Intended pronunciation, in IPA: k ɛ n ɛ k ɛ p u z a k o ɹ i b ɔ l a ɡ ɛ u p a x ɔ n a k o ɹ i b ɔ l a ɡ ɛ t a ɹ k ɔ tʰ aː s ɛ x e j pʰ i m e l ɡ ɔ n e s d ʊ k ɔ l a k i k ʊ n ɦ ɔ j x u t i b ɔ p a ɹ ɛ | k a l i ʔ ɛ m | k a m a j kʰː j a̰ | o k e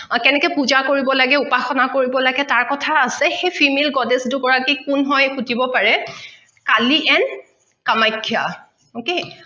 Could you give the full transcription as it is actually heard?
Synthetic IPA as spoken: k ɛ n ɛ k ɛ p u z a k o ɹ i b ɔ l a ɡ ɛ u p a x ɔ n a k o ɹ i b ɔ l a ɡ ɛ t a ɹ k ɔ tʰ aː s ɛ x e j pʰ i m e l ɡ ɔ d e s d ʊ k ɔ ɹ a k i k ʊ n ɦ ɔ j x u t i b ɔ p a ɹ ɛ | k a l i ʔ ɛ n | k a m a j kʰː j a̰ | o k e